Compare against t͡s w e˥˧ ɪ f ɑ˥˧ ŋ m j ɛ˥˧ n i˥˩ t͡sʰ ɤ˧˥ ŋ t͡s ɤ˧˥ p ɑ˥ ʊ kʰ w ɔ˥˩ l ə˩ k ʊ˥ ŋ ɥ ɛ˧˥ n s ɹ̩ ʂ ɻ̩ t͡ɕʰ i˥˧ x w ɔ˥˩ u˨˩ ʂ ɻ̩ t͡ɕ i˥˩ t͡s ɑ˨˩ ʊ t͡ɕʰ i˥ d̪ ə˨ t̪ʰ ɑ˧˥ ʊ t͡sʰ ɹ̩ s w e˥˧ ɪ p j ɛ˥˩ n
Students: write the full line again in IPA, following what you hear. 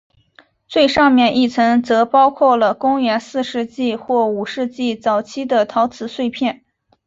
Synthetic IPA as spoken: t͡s w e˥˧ ɪ ʂ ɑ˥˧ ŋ m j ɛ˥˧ n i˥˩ t͡sʰ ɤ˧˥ ŋ t͡s ɤ˧˥ p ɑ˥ ʊ kʰ w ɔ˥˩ l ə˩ k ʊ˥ ŋ ɥ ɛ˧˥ n s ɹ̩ ʂ ɻ̩ t͡ɕ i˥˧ x w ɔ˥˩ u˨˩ ʂ ɻ̩ t͡ɕ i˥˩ t͡s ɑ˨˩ ʊ t͡ɕʰ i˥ d̪ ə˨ t̪ʰ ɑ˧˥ ʊ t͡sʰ ɹ̩ s w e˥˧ ɪ pʰ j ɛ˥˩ n